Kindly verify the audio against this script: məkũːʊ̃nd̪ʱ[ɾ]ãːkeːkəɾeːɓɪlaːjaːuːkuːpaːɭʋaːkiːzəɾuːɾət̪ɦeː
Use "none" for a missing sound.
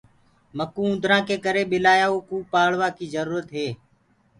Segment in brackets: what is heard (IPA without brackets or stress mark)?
ɾ